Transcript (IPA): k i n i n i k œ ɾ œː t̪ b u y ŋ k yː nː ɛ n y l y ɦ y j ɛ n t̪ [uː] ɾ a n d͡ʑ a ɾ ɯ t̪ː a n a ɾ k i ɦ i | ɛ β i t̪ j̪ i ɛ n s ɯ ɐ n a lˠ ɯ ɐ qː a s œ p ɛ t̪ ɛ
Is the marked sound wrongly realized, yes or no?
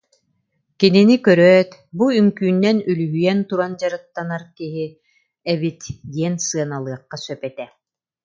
yes